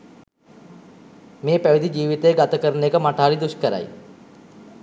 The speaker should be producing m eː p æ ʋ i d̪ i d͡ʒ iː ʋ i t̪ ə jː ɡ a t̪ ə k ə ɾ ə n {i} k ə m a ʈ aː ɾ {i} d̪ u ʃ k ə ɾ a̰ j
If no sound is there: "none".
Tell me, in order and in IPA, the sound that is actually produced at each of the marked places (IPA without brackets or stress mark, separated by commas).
e, i